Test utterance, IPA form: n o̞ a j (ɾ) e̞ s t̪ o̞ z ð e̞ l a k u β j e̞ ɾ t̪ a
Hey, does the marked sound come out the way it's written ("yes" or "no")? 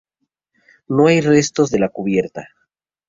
no